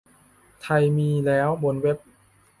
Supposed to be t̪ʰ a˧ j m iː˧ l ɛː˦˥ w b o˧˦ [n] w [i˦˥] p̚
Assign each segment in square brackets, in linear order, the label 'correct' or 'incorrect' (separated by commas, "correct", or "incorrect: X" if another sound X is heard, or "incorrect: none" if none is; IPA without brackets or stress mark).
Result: correct, incorrect: e˦˥